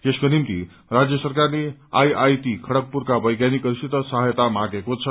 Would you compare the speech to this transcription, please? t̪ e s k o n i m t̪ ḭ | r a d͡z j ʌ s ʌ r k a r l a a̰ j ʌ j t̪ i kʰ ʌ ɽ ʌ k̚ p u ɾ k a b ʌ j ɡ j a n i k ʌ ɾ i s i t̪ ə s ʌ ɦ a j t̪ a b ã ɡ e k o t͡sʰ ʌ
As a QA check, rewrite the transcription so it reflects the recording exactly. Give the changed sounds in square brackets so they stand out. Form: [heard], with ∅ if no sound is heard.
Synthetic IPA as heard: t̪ e s k o n i m t̪ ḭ | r a d͡z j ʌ s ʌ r k a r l [e] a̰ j [a] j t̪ i kʰ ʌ ɽ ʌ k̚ p u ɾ k a b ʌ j ɡ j a n i k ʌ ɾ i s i t̪ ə s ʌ ɦ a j t̪ a [m] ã ɡ e k o t͡sʰ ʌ